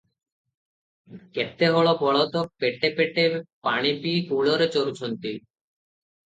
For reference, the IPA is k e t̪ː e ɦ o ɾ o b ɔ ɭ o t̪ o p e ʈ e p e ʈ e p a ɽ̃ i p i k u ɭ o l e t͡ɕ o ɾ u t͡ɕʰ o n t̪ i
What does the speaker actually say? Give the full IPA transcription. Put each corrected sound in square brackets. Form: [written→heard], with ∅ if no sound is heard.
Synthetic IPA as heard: k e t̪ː e ɦ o [ɾ→ɭ] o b ɔ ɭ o t̪ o p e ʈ e p e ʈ e p a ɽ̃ i p i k u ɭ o [l→ɾ] e t͡ɕ o ɾ u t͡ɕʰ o n t̪ i